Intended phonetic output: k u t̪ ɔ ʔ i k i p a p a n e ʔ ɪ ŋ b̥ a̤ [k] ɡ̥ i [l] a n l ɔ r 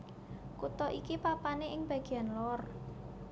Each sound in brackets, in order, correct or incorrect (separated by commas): incorrect, incorrect